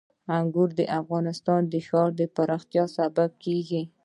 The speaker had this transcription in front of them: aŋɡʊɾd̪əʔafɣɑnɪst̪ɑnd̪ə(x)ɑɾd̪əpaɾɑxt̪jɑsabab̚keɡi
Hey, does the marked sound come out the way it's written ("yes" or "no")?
yes